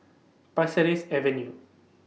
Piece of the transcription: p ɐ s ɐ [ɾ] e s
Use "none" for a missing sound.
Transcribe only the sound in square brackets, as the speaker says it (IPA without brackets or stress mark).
ɾ